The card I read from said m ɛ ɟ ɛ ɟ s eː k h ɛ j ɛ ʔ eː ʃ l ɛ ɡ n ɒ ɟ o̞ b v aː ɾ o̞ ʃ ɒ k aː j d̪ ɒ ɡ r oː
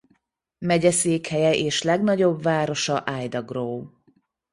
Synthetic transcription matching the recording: m ɛ ɟ ɛ s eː k h ɛ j ɛ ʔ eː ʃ l ɛ ɡ n ɒ ɟ o̞ b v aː ɾ o̞ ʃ ɒ ʔ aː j d̪ ɒ ɡ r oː